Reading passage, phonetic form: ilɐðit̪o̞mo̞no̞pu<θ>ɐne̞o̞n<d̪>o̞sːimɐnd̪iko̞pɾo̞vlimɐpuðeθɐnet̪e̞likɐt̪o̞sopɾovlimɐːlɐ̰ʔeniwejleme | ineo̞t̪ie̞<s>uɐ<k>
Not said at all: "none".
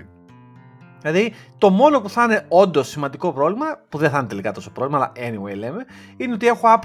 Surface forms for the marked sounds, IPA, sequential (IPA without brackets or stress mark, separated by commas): θ, d̪, x, p